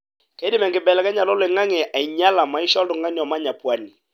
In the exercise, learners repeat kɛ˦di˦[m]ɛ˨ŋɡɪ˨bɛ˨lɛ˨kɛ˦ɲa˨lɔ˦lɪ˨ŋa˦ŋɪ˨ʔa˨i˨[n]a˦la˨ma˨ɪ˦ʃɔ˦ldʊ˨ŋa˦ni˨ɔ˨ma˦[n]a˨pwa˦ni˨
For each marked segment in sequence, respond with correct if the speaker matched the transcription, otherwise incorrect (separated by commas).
correct, incorrect, incorrect